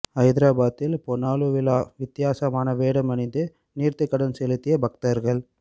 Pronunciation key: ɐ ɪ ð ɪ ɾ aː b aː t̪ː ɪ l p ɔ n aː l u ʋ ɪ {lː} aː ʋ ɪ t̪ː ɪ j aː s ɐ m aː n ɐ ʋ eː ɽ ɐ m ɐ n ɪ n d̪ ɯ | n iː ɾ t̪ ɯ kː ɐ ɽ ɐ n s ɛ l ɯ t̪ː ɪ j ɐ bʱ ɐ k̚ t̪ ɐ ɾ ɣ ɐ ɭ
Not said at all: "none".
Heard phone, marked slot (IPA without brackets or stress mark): l